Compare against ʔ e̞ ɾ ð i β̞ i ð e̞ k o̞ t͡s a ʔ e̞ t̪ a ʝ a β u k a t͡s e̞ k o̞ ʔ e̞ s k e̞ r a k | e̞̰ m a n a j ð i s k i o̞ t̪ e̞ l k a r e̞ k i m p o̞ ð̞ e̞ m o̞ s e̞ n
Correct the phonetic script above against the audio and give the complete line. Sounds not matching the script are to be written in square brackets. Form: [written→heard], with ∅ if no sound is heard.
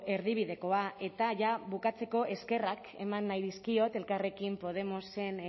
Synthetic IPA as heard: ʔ e̞ ɾ ð i β̞ i ð e̞ k o̞ [t͡s→∅] a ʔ e̞ t̪ a ʝ a β u k a t͡s e̞ k o̞ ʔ e̞ s k e̞ r a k | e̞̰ m a [n→nː] a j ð i s k i o̞ t̪ e̞ l k a r e̞ k i m p o̞ ð̞ e̞ m o̞ s e̞ n